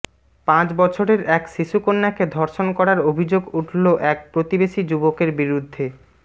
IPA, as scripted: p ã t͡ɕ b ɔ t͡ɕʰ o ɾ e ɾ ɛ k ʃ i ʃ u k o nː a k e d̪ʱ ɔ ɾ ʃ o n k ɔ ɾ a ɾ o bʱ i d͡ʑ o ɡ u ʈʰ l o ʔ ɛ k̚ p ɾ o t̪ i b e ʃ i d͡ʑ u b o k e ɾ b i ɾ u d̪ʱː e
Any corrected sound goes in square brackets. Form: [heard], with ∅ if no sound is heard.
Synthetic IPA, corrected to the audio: p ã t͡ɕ b ɔ t͡ɕʰ o ɾ e ɾ ɛ k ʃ i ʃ u k o nː a k e d̪ʱ ɔ ɾ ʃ o n k ɔ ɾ a ɾ o bʱ i d͡ʑ o ɡ u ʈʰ l o ʔ ɛ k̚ p ɾ o t̪ i b e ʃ i d͡ʑ u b o k e ɾ b i ɾ u d̪ʱː e

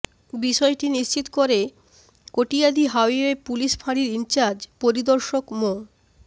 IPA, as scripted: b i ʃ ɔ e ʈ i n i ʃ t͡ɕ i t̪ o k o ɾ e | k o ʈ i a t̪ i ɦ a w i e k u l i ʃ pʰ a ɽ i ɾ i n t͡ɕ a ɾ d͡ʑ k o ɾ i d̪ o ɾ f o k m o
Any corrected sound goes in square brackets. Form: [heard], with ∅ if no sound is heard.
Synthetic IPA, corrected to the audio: b i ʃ ɔ e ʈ i n i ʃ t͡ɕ i t̪ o k o ɾ e | k o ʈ i a [d̪] i ɦ a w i e [p] u l i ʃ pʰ a ɽ i ɾ i n t͡ɕ a ɾ d͡ʑ [p] o ɾ i d̪ o ɾ [ʃ] o k m o

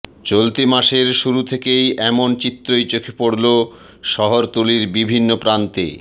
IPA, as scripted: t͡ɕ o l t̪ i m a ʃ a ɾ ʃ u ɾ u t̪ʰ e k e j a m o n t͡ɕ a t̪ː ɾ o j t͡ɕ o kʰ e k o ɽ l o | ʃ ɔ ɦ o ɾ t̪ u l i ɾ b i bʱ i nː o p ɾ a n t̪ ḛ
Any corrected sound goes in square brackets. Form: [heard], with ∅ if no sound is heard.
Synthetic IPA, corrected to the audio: t͡ɕ o l t̪ i m a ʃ [e] ɾ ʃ u ɾ u t̪ʰ e k e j [ɛ] m o n t͡ɕ [i] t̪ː ɾ o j t͡ɕ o kʰ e [p] o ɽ l o | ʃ ɔ ɦ o ɾ t̪ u l i ɾ b i bʱ i nː o p ɾ a n t̪ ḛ

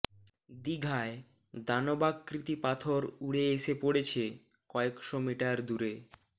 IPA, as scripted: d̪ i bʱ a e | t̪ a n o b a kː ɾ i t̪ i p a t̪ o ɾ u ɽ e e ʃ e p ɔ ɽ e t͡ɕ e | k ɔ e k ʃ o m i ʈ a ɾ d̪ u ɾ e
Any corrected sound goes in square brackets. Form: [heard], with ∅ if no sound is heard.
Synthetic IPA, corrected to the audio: d̪ i [ɡʱ] a e | [d̪] a n o b a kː ɾ i t̪ i p a [t̪ʰ] o ɾ u ɽ e e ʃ e p [o] ɽ e [t͡ɕʰ] e | k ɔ e k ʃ o m i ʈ a ɾ d̪ u ɾ e

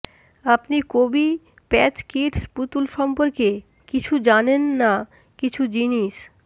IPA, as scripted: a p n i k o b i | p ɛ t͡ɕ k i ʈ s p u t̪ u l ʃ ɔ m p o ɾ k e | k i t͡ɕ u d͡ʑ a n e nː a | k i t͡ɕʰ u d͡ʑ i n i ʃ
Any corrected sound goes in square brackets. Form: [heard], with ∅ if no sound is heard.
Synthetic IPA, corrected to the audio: a p n i k o b i | p ɛ t͡ɕ k i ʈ s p u t̪ u l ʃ ɔ m p o ɾ k e | k i [t͡ɕʰ] u d͡ʑ a n e nː a | k i t͡ɕʰ u d͡ʑ i n i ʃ

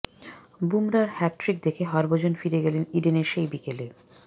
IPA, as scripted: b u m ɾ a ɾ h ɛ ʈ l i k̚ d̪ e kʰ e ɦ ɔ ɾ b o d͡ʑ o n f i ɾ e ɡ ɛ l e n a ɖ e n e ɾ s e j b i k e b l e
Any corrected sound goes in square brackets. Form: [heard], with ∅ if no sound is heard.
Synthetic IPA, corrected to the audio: b u m ɾ a ɾ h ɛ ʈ [ɾ] i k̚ d̪ e kʰ e ɦ ɔ ɾ b o d͡ʑ o n f i ɾ e ɡ ɛ l e n [i] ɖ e n e ɾ [ʃ] e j b i k e [∅] l e

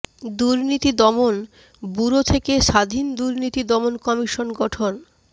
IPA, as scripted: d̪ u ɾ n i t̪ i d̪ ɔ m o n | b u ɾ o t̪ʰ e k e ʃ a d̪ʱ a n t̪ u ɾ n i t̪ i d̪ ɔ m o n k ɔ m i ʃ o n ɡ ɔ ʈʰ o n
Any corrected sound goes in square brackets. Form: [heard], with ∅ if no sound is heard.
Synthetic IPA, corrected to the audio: d̪ u ɾ n i t̪ i d̪ ɔ m o n | b u ɾ o t̪ʰ e k e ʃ a d̪ʱ [i] n [d̪] u ɾ n i t̪ i d̪ ɔ m o n k ɔ m i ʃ o n ɡ ɔ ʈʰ o n

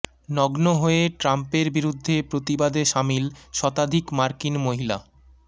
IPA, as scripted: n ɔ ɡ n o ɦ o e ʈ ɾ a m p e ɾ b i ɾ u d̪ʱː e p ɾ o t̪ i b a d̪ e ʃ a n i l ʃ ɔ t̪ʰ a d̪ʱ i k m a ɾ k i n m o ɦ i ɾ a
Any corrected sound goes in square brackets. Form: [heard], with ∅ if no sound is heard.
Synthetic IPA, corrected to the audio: n ɔ ɡ n o ɦ o e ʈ ɾ a m p e ɾ b i ɾ u d̪ʱː e p ɾ o t̪ i b a d̪ e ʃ a [m] i l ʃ ɔ [t̪] a d̪ʱ i k m a ɾ k i n m o ɦ i [l] a

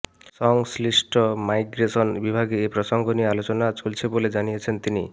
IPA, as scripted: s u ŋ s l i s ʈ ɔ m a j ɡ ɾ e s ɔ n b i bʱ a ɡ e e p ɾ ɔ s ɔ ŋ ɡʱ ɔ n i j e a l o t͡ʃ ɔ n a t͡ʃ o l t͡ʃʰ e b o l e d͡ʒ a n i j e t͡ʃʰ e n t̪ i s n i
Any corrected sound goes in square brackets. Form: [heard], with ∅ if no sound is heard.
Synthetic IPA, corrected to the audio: s [ɔ] ŋ s l i s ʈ ɔ m a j ɡ ɾ e s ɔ n b i bʱ a ɡ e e p ɾ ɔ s ɔ ŋ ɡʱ ɔ n i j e a l o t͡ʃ ɔ n a t͡ʃ o l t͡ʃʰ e b o l e d͡ʒ a n i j e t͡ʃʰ e n t̪ i [∅] n i

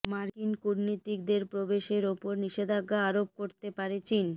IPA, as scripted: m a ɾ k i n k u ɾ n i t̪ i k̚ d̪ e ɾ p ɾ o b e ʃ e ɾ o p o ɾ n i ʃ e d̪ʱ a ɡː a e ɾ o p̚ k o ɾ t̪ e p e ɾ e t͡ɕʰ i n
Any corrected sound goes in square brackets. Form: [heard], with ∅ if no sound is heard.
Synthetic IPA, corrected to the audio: m a ɾ k i n k u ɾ n i t̪ i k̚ d̪ e ɾ p ɾ o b e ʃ e ɾ o p o ɾ n i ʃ e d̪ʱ a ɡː a [a] ɾ o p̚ k o ɾ t̪ e p [a] ɾ e [t͡ɕ] i n

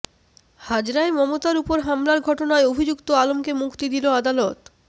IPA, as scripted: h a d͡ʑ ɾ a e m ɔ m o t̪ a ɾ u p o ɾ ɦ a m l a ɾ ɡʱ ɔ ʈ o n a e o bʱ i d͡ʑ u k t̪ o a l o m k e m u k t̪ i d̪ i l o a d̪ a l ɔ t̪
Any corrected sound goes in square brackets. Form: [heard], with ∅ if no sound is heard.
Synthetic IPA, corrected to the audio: h a d͡ʑ ɾ a e m ɔ m o t̪ a ɾ u p o ɾ ɦ a m l a ɾ ɡʱ ɔ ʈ o n a e o bʱ i d͡ʑ u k t̪ o a l o m k e m u k t̪ i d̪ i l o a d̪ a l ɔ t̪

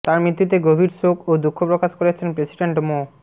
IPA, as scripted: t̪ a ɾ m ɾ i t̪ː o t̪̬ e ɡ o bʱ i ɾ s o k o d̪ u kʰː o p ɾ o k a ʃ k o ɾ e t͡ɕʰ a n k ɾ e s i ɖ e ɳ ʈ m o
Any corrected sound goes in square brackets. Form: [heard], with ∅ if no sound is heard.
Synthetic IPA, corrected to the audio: t̪ a ɾ m ɾ i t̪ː [u] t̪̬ e ɡ o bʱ i ɾ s o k o d̪ u kʰː o p ɾ o k a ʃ k o ɾ e t͡ɕʰ [e] n [p] ɾ e s i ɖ e ɳ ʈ m o

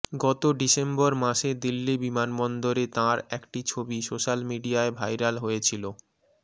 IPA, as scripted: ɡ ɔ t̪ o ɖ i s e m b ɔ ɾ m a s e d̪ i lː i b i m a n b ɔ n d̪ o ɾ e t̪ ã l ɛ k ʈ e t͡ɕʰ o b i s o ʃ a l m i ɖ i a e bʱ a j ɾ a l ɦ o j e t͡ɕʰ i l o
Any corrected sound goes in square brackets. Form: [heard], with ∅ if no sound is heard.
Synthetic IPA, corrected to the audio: ɡ ɔ t̪ o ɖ i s e m b ɔ ɾ m a [ʃ] e d̪ i lː i b i m a n b ɔ n d̪ o ɾ e t̪ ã [ɾ] ɛ k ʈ [i] t͡ɕʰ o b i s o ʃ a l m i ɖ i a e bʱ a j ɾ a l ɦ o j e t͡ɕʰ i l o

